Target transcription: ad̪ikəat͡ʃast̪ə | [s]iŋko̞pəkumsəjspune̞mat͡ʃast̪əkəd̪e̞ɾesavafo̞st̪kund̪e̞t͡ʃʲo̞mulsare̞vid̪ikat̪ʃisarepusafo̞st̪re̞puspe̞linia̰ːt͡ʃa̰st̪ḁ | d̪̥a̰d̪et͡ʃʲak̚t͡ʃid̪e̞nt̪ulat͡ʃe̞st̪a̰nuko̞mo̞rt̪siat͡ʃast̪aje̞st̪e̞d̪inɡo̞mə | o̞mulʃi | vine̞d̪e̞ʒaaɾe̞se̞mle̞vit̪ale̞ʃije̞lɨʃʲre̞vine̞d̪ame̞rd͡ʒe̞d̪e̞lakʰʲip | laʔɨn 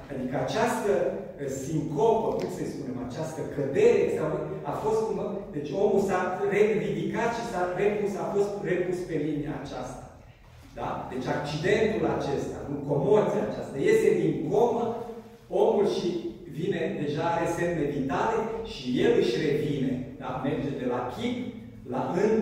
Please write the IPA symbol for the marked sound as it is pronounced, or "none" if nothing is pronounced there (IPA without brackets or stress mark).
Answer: s